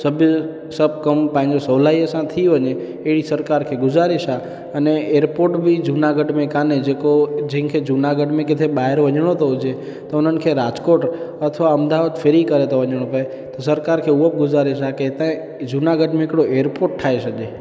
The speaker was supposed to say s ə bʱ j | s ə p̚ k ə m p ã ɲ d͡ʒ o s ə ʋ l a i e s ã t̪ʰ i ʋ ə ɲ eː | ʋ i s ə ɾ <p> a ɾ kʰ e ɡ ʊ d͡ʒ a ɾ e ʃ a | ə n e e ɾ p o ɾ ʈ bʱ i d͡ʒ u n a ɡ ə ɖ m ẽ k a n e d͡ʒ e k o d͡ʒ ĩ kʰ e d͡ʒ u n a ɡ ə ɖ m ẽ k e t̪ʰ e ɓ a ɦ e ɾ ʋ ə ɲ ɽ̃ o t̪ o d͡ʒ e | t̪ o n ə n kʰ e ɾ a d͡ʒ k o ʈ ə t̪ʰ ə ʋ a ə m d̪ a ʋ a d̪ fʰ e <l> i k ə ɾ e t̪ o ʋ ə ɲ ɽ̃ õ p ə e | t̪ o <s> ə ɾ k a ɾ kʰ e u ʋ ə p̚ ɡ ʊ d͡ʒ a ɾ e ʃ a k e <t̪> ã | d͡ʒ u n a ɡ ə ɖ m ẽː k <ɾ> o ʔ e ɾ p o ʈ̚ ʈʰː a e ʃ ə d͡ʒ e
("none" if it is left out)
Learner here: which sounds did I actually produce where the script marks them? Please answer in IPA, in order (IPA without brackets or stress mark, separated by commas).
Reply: k, ɾ, s, t̪, ɽ